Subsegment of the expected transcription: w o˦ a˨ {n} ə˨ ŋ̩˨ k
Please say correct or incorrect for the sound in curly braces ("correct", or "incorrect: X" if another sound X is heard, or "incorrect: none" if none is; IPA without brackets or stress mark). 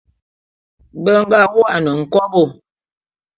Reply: correct